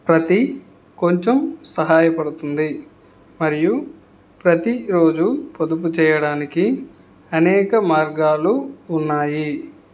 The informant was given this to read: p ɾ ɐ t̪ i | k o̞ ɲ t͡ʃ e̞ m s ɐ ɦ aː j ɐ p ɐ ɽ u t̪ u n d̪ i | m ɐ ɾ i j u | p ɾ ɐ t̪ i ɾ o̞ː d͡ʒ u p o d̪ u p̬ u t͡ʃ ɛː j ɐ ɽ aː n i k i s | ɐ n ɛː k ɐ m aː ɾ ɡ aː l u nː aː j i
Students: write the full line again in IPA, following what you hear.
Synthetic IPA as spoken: p ɾ ɐ t̪ i | k o̞ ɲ t͡ʃ e̞ m s ɐ ɦ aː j ɐ p ɐ ɽ u t̪ u n d̪ i | m ɐ ɾ i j u | p ɾ ɐ t̪ i ɾ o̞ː d͡ʒ u p o d̪ u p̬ u t͡ʃ ɛː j ɐ ɽ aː n i k i | ɐ n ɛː k ɐ m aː ɾ ɡ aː l uː nː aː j i